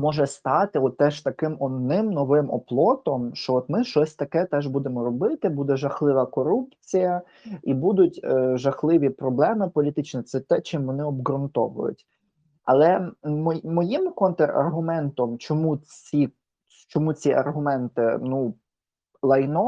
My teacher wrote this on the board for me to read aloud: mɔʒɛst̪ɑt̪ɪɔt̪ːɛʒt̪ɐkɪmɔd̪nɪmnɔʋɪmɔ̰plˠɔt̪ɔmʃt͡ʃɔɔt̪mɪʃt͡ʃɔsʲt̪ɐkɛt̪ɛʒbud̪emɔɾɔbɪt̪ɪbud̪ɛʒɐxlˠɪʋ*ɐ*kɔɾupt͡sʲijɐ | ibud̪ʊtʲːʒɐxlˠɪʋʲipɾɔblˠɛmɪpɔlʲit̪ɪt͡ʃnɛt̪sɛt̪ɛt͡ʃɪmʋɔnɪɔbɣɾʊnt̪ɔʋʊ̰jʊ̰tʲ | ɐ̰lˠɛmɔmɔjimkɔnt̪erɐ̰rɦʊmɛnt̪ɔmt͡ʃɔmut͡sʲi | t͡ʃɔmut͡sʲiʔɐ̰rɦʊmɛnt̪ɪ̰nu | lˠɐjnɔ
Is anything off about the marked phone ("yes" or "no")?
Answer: no